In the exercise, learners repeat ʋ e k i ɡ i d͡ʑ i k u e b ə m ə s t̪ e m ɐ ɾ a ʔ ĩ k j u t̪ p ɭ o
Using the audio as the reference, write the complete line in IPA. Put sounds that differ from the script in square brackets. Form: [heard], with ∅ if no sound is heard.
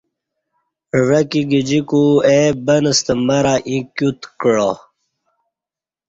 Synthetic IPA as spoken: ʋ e k i ɡ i d͡ʑ i k u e b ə [n] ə s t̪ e m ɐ ɾ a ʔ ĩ k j u t̪ [k] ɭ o